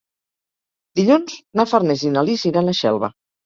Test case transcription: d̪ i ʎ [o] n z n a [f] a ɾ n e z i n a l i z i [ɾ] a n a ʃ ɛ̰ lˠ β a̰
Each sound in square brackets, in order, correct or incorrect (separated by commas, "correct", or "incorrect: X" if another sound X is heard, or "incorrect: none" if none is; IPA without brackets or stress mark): incorrect: u, correct, correct